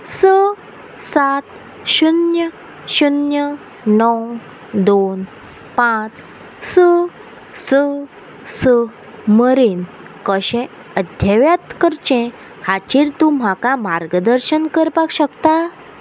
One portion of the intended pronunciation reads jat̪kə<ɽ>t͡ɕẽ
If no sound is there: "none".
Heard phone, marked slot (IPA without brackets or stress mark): ɾ